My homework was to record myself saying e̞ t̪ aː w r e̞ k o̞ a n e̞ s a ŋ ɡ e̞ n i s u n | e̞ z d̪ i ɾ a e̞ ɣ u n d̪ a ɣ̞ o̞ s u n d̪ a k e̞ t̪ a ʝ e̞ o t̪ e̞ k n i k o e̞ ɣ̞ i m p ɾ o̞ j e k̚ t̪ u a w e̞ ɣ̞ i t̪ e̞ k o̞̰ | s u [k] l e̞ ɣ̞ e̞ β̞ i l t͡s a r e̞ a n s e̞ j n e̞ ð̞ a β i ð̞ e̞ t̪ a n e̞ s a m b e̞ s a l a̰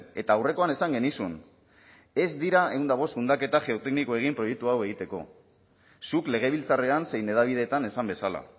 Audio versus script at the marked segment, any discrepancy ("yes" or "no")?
no